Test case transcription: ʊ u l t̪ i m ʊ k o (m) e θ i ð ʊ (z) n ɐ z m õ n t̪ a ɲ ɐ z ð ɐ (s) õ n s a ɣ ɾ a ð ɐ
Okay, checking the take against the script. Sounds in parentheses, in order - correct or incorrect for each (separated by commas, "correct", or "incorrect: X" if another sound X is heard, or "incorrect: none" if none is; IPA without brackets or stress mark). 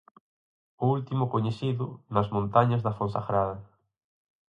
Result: incorrect: ɲ, incorrect: none, incorrect: f